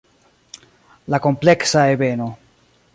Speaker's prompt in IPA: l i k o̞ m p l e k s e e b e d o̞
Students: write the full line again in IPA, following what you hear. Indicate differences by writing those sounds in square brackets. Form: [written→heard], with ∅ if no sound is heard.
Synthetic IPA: l [i→a] k o̞ m p l e k s [e→a] e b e [d→n] o̞